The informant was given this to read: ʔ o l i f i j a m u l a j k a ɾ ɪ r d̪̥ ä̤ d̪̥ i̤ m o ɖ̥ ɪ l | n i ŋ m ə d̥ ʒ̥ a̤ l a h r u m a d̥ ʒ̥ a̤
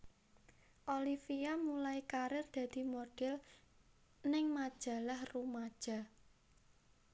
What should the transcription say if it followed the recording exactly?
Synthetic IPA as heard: ʔ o l i f i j a m u l a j k a ɾ ɪ r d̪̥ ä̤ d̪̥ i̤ m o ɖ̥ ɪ l | n ɪ ŋ m a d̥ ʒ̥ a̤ l a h r u m a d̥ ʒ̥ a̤